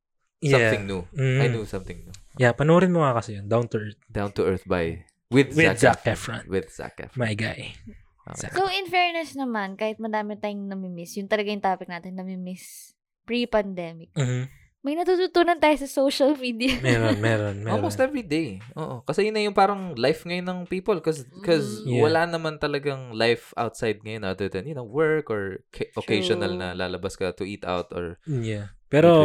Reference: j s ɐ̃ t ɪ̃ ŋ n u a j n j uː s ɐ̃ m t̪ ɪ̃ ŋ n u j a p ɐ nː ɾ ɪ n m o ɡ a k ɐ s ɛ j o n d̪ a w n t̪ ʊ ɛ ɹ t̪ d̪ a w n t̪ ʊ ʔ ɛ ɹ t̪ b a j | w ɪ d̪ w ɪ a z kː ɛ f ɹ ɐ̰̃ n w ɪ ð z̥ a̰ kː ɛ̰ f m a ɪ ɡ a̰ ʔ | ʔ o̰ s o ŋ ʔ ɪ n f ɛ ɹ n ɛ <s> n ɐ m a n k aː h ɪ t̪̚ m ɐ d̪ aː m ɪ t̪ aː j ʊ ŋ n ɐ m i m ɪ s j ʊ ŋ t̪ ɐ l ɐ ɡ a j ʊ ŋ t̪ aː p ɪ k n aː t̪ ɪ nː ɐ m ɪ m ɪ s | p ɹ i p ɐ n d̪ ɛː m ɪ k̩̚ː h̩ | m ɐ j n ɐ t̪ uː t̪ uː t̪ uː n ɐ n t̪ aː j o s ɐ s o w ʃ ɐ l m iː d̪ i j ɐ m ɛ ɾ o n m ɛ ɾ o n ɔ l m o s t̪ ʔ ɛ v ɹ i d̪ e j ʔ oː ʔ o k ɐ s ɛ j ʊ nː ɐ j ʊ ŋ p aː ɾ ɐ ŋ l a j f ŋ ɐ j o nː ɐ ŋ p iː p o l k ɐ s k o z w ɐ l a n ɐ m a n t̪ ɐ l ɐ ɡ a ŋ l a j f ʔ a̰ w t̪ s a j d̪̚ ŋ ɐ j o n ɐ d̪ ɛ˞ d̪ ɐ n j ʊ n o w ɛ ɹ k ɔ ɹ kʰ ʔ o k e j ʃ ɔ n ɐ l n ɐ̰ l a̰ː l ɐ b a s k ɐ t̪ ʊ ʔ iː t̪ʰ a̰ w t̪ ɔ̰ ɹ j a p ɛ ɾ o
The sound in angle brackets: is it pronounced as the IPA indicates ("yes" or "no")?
yes